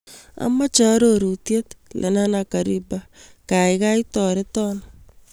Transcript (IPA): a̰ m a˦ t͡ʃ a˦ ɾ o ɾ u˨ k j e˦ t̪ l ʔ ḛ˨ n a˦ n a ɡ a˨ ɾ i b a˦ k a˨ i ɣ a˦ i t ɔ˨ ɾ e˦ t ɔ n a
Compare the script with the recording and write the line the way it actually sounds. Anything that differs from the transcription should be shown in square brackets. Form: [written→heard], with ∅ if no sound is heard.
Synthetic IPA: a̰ m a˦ t͡ʃ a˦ ɾ o ɾ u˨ [k→t] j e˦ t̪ l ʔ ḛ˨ n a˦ n a [ɡ→k] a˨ ɾ i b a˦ k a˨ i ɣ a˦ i t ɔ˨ ɾ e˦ t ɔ n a